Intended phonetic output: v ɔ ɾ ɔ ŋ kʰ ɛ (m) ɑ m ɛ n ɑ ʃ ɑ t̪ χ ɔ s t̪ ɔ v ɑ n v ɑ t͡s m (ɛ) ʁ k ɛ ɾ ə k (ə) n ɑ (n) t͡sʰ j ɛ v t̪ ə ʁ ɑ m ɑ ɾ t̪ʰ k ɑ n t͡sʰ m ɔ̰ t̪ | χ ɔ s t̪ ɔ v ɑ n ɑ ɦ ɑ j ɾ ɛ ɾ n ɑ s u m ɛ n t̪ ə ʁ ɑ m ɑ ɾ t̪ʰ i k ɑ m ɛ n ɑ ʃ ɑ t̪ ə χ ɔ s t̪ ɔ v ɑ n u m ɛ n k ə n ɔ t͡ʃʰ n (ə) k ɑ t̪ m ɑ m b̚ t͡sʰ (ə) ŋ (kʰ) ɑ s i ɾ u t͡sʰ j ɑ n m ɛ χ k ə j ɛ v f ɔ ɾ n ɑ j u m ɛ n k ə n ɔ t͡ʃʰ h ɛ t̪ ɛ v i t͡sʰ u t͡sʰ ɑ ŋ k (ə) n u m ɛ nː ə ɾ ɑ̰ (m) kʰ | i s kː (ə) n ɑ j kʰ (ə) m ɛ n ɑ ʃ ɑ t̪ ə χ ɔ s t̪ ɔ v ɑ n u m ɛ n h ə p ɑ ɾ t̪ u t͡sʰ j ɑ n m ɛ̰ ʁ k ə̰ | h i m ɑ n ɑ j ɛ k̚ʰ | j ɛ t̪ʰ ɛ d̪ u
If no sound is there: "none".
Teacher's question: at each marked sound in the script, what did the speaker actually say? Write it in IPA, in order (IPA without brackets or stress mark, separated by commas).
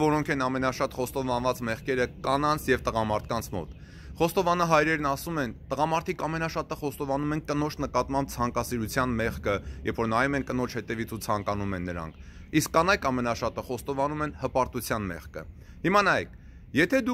n, ɛ, ɑ, n, ə, ɑ, k, ɑ, ŋ, ɑ, ɑ